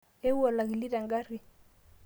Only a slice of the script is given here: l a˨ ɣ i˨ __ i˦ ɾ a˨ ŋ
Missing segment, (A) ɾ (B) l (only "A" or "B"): B